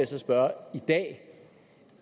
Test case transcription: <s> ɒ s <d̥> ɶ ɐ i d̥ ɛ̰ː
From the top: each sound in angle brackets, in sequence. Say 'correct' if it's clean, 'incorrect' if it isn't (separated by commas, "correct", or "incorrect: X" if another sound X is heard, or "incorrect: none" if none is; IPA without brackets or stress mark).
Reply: correct, incorrect: b̥